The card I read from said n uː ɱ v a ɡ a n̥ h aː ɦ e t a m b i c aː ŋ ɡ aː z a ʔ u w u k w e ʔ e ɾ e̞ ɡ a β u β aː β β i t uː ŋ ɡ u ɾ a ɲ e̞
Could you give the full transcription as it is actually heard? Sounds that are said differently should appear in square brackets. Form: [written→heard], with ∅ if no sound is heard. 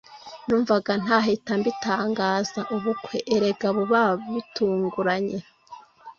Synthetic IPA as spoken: n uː ɱ v a ɡ a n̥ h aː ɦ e t a m b i [c→t] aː ŋ ɡ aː z a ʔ u [w→β] u k w e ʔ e ɾ e̞ ɡ a β u β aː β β i t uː ŋ ɡ u ɾ a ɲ e̞